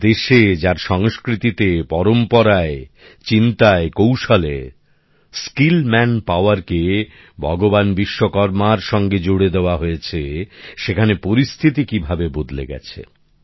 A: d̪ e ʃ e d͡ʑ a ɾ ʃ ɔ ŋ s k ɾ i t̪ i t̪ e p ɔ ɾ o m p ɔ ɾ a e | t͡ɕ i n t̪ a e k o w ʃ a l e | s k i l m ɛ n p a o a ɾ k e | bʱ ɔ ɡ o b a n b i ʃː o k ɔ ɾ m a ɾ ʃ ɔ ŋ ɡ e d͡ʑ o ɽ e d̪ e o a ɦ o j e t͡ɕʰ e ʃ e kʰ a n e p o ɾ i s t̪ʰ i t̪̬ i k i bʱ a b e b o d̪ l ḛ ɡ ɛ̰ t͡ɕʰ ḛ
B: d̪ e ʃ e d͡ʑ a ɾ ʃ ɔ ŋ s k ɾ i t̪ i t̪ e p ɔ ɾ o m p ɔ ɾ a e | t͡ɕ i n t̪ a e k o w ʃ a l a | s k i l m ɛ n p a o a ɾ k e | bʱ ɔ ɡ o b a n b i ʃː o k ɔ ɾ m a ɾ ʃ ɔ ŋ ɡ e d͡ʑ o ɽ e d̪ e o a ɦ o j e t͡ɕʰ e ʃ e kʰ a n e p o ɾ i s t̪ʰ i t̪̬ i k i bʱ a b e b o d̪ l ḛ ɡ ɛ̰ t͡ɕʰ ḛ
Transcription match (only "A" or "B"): A